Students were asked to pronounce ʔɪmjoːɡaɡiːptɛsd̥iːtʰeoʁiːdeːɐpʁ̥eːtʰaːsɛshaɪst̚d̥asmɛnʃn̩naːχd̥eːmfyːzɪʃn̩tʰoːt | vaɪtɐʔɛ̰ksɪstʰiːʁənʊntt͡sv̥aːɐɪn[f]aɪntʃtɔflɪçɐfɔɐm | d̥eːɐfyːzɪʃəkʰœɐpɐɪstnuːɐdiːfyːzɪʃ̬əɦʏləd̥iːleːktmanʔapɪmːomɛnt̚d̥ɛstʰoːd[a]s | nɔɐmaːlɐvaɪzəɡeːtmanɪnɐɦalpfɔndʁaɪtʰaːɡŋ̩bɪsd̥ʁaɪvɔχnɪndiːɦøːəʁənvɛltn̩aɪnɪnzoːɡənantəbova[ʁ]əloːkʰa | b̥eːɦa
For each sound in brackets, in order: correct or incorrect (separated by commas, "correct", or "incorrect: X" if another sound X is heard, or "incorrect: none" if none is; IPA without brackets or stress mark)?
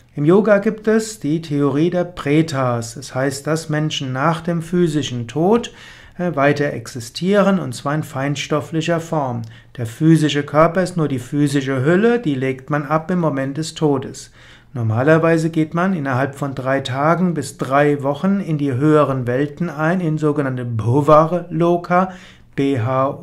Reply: correct, incorrect: ə, correct